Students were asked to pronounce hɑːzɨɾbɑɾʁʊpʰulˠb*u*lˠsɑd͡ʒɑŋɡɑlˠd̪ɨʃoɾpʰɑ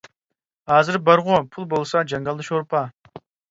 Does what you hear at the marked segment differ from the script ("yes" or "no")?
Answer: yes